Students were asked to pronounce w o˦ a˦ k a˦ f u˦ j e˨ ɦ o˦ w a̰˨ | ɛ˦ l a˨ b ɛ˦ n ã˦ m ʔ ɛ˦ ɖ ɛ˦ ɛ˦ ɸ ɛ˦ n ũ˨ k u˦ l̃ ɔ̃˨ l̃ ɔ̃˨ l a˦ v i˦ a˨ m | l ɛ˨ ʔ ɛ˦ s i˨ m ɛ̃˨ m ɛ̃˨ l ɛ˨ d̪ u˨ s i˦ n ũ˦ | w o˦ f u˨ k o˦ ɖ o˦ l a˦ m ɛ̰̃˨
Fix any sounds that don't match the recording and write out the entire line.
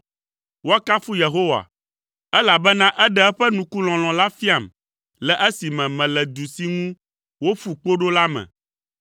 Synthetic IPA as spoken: w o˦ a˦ k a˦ f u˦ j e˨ ɦ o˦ w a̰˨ | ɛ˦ l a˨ b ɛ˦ n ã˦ ʔ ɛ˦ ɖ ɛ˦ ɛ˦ ɸ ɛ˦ n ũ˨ k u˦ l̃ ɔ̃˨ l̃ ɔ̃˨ l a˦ f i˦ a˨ m | l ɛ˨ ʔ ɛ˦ s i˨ m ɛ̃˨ m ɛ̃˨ l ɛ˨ d̪ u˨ s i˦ ŋ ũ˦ | w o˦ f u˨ k͡p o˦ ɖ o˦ l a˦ m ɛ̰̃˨